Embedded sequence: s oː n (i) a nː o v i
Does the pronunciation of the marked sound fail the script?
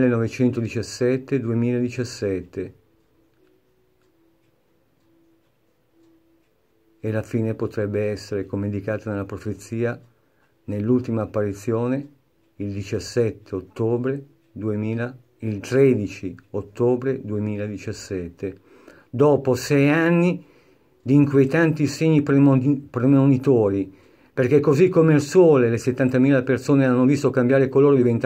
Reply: yes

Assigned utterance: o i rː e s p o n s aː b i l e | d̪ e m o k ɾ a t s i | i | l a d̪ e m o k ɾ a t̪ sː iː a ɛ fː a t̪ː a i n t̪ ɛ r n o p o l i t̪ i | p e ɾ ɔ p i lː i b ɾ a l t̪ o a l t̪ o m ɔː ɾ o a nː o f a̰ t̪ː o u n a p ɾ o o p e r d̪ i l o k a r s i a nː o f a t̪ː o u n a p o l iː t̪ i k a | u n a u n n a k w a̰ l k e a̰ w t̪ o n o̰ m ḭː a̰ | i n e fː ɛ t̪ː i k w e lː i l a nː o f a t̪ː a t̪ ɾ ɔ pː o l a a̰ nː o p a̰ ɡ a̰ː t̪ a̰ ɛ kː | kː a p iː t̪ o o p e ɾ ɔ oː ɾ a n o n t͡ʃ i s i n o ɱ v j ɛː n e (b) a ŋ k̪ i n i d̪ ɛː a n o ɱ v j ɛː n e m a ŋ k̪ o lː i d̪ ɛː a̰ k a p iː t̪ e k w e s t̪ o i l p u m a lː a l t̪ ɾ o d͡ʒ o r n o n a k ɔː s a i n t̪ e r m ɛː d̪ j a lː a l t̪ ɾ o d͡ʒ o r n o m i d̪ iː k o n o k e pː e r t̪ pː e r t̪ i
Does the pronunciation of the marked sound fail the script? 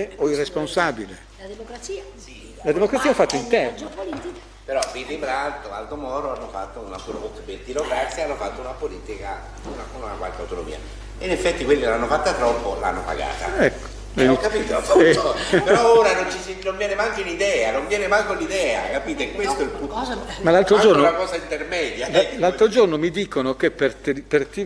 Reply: yes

